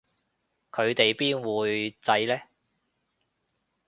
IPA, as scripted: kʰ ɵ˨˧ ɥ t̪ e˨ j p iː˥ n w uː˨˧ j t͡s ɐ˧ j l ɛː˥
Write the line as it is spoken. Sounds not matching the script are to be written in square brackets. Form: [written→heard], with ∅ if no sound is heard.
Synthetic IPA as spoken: kʰ ɵ˨˧ ɥ t̪ e˨ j p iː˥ n w uː˨˧ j t͡s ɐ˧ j l ɛː˥